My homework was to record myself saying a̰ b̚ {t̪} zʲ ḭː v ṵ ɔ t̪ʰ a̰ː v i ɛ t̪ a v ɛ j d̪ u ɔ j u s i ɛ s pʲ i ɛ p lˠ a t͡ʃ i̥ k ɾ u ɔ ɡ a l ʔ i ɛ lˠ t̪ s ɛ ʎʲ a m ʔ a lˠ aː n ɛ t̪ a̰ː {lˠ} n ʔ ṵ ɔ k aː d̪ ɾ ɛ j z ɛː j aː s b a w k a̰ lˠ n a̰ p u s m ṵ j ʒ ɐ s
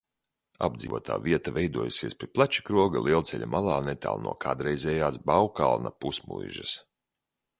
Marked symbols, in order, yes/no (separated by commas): no, yes